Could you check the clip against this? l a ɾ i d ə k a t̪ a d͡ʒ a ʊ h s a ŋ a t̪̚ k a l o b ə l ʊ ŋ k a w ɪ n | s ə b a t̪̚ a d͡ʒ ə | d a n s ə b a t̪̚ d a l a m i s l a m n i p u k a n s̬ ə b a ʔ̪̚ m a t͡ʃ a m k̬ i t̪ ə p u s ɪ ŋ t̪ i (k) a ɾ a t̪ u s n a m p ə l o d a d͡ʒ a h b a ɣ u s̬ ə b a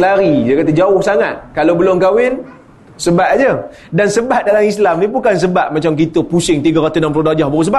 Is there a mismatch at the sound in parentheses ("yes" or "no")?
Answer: yes